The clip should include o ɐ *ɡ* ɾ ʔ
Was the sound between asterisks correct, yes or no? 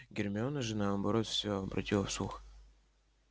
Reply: no